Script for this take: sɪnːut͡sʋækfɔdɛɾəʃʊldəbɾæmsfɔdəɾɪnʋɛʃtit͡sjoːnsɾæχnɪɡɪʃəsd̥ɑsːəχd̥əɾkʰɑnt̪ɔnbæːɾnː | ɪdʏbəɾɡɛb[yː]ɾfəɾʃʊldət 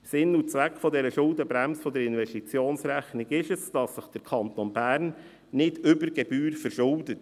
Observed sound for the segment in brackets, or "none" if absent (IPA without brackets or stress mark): yː